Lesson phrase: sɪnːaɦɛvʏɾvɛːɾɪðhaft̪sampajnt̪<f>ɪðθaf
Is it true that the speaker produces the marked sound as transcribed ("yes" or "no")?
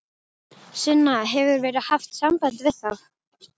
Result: no